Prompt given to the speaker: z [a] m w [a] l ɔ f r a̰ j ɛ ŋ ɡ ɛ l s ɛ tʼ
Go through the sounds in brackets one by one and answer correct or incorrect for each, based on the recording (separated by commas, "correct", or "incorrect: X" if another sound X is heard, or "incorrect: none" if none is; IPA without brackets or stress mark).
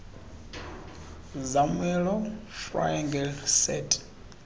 correct, incorrect: ɛ